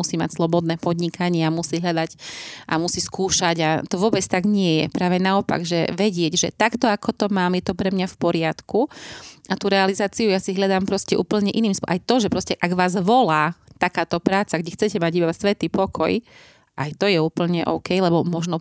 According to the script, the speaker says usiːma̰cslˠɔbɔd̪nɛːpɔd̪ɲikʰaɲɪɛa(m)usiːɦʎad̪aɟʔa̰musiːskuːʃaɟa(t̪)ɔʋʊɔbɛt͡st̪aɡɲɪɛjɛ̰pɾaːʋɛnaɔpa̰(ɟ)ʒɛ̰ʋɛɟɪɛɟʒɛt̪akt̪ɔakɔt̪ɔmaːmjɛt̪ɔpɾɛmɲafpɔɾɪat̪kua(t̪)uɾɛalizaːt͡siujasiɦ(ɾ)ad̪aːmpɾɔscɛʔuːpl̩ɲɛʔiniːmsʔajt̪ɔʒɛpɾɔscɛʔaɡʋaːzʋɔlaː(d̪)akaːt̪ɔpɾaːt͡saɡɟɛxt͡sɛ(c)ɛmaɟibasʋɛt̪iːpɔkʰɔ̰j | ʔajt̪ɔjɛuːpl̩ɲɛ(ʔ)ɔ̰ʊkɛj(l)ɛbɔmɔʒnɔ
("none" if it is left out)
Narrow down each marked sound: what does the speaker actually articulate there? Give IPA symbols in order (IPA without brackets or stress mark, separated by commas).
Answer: m, t̪, ɡ, t̪, ʎ, t̪, c, ʔ, l